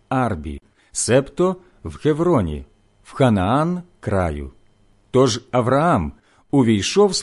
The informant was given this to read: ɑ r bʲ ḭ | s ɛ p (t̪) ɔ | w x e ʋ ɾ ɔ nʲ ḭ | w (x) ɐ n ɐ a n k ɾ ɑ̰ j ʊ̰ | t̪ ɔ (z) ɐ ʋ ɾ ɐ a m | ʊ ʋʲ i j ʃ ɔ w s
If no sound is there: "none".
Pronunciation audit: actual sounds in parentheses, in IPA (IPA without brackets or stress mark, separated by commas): t̪, x, ʒ